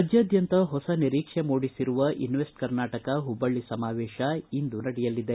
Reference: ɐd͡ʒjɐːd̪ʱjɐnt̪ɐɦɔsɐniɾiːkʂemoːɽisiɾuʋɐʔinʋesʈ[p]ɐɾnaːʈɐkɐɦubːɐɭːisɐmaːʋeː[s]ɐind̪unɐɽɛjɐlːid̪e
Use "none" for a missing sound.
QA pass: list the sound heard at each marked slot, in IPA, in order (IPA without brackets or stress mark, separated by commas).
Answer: k, ʃ